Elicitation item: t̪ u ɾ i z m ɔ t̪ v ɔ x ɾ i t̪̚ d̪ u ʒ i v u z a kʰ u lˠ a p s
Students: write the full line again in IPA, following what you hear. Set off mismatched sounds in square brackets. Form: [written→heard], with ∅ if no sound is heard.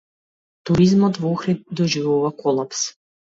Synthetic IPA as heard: t̪ u ɾ i z m ɔ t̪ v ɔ x ɾ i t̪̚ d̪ [u→ɔ] ʒ i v u [z→v] a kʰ [u→ɔ] lˠ a p s